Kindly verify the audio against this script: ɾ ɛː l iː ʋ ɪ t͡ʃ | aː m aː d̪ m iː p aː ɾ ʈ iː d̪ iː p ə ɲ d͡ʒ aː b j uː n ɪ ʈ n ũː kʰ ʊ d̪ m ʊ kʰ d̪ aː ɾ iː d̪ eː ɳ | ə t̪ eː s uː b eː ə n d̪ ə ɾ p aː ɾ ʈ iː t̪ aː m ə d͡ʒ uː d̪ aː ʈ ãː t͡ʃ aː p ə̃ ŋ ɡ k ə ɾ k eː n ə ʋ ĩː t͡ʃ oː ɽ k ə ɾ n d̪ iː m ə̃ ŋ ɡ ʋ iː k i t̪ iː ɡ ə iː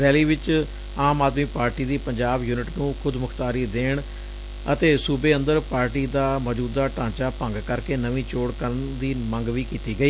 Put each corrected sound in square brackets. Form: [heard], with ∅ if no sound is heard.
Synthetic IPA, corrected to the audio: ɾ ɛː l iː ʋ ɪ t͡ʃ | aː m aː d̪ m iː p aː ɾ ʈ iː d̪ iː p ə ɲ d͡ʒ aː b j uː n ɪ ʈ n ũː kʰ ʊ d̪ m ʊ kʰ [t̪] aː ɾ iː d̪ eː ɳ | ə t̪ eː s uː b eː ə n d̪ ə ɾ p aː ɾ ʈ iː [d̪] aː m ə d͡ʒ uː d̪ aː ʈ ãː t͡ʃ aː p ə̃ ŋ ɡ k ə ɾ k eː n ə ʋ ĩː t͡ʃ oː ɽ k ə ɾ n d̪ iː m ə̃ ŋ ɡ ʋ iː k [iː] t̪ iː ɡ ə iː